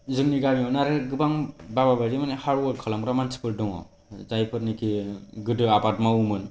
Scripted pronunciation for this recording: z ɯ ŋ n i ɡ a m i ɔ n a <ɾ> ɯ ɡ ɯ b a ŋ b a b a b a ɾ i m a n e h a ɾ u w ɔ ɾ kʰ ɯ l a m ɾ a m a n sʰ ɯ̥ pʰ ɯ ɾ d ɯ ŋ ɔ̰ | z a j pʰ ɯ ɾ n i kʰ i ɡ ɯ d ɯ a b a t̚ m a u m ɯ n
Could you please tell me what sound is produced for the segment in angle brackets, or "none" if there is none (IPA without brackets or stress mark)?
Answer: ɾ